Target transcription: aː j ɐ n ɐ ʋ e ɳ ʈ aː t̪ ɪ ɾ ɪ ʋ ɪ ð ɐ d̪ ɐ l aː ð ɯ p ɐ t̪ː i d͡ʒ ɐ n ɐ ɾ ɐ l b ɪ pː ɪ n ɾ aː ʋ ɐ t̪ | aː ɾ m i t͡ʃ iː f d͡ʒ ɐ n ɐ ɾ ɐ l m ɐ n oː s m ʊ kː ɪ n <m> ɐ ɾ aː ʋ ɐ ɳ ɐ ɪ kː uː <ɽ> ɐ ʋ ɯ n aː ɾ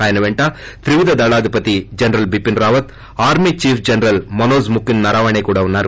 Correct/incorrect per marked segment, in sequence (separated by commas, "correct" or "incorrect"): incorrect, correct